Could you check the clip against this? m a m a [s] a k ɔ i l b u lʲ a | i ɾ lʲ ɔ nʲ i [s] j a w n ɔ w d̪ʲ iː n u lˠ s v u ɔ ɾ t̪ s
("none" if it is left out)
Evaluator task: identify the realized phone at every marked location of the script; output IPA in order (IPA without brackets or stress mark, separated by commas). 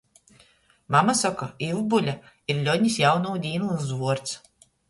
s, s